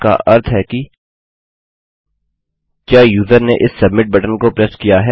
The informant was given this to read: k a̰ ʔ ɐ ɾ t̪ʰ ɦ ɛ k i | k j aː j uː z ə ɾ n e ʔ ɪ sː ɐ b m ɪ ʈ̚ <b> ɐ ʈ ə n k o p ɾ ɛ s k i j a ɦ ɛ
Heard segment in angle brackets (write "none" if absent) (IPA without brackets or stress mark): b